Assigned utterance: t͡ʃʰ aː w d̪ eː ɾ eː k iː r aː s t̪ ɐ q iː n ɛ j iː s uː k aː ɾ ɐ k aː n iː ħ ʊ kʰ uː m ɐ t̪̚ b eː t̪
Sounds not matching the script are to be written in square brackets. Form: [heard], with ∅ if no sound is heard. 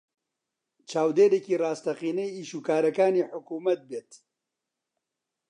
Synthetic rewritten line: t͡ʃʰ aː w d̪ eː ɾ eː k iː r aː s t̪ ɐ q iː n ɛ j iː [ʃ] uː k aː ɾ ɐ k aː n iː ħ ʊ [k] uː m ɐ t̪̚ b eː t̪